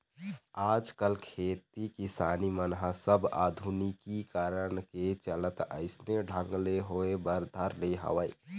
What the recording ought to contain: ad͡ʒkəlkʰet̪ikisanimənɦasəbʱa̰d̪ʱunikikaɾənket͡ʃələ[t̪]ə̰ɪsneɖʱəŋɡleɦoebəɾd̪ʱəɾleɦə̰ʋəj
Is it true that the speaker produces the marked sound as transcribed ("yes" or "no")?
yes